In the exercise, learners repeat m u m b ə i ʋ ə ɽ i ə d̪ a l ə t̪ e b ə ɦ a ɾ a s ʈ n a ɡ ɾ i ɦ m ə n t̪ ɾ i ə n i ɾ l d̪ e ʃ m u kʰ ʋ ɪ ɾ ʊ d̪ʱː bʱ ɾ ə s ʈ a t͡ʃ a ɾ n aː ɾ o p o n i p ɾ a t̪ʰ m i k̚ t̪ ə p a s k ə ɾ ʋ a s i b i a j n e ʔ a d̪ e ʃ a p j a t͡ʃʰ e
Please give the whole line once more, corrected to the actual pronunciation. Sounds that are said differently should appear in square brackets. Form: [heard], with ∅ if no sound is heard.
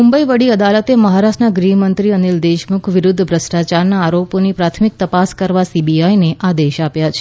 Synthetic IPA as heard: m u m b ə i ʋ ə ɽ i ə d̪ a l ə t̪ e [m] ə ɦ a ɾ a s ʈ n a ɡ ɾ i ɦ m ə n t̪ ɾ i ə n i [∅] l d̪ e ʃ m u kʰ ʋ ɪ ɾ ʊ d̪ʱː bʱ ɾ ə s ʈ a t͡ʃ a ɾ n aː ɾ o p o n i p ɾ a t̪ʰ m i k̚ t̪ ə p a s k ə ɾ ʋ a s i b i a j n e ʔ a d̪ e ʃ a p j a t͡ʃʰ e